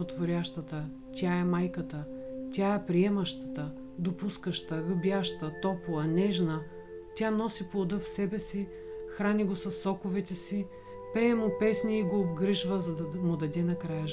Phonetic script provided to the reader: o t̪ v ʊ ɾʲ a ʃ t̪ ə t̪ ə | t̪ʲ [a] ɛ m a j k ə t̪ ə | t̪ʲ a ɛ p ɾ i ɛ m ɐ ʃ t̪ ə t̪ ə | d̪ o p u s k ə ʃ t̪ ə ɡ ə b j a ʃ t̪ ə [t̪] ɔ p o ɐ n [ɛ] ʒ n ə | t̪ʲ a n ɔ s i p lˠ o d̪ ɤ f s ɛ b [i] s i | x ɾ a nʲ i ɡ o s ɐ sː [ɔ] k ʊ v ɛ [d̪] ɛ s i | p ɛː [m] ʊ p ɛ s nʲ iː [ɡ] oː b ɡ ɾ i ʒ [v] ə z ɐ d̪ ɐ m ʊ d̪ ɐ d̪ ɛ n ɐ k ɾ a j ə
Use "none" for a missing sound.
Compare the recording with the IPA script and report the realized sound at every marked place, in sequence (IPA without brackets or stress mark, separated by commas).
a, t̪, ɛ, ɛ, ɔ, t̪, m, ɡ, v